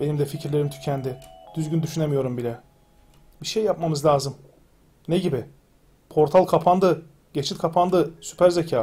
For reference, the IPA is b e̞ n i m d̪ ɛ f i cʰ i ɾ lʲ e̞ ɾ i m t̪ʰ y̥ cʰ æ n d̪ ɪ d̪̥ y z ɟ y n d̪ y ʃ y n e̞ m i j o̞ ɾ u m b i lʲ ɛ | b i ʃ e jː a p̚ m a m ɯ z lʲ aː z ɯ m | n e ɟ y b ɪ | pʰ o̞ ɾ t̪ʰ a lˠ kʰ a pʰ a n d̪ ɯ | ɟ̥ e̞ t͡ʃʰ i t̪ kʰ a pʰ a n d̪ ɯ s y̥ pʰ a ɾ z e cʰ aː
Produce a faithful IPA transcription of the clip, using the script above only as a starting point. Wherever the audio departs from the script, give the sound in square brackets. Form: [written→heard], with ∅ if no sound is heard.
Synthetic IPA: b e̞ n i m d̪ ɛ f i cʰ i ɾ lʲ e̞ ɾ i m t̪ʰ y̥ cʰ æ n d̪ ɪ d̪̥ y z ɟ y n d̪ y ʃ y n e̞ m i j o̞ ɾ u m b i lʲ ɛ | b i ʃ e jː a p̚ m a m ɯ z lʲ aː z ɯ m | n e ɟ [y→i] b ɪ | pʰ o̞ ɾ t̪ʰ a lˠ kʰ a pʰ a n d̪ ɯ | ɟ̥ e̞ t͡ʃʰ i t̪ kʰ a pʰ a n d̪ ɯ s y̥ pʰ [a→æ] ɾ z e cʰ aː